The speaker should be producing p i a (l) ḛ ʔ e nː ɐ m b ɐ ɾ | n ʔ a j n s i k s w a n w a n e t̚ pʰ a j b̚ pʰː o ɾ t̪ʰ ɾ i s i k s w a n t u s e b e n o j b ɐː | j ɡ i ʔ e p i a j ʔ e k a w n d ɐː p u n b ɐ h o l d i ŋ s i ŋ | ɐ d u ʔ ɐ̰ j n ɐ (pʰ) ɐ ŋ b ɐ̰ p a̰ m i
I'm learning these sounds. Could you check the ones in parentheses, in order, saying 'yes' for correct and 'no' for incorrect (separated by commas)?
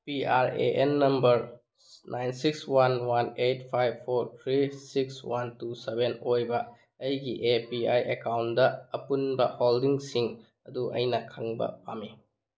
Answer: no, no